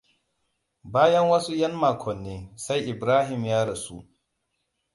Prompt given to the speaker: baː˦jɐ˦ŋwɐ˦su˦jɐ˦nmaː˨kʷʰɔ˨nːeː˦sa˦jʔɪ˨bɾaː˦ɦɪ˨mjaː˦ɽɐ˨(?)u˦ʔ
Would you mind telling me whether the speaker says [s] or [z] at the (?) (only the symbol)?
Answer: s